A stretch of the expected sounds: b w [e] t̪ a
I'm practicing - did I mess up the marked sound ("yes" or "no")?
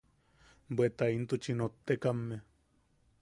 no